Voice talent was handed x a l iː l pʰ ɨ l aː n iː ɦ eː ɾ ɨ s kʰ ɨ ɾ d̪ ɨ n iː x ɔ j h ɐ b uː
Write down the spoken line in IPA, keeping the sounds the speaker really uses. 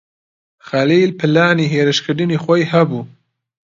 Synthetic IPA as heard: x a l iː l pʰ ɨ l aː n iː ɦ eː ɾ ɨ ʃ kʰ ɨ ɾ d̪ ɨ n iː x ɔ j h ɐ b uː